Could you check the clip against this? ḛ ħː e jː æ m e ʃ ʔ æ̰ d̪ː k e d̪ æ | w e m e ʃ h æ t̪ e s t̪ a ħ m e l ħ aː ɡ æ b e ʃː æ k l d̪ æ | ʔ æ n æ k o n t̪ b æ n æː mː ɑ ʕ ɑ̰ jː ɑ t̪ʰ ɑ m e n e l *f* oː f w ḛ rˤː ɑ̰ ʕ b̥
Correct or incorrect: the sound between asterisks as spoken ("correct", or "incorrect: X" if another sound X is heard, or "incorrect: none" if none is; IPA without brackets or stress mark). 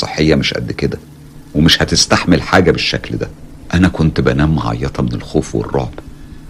incorrect: x